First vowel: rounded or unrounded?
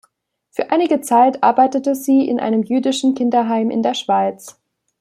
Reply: rounded